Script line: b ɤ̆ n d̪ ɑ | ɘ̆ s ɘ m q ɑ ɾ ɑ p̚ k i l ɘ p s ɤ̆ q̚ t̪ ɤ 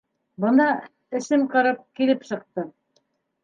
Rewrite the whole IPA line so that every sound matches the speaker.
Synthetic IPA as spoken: b ɤ̆ n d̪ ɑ | ɘ̆ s ɘ m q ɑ ɾ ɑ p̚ k i l ɘ p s ɤ̆ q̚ t̪ ɤ